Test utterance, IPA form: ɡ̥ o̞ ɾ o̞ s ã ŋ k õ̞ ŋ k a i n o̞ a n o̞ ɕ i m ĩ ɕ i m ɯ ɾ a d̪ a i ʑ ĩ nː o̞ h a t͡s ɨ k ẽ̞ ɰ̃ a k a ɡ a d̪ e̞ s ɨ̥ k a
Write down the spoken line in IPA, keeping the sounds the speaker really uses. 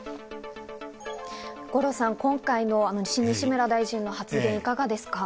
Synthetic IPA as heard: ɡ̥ o̞ ɾ o̞ s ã ŋ k õ̞ ŋ k a i n o̞ a n o̞ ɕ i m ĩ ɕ i m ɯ ɾ a d̪ a i ʑ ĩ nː o̞ h a t͡s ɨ ɡ ẽ̞ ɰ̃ i k a ɡ a d̪ e̞ s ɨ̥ k a